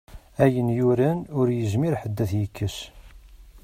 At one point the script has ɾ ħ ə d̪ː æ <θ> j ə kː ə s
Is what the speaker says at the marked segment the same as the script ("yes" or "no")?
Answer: yes